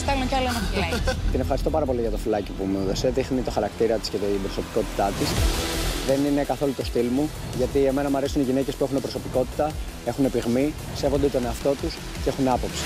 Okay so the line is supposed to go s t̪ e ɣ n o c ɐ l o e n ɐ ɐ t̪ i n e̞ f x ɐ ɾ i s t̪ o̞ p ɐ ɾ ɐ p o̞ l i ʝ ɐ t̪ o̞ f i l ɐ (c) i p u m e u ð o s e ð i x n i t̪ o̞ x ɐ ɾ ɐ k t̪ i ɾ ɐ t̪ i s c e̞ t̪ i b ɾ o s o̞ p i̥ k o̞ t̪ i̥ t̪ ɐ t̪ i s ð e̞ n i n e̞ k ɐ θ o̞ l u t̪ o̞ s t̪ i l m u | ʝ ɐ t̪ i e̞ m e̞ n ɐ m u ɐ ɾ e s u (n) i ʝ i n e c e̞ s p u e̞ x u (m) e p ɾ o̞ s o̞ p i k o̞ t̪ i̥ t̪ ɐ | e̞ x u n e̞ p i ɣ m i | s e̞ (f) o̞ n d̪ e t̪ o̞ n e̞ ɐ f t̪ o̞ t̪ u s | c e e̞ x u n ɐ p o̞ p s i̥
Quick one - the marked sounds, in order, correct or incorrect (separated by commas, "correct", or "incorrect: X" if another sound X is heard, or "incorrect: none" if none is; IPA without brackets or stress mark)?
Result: correct, correct, incorrect: n, incorrect: v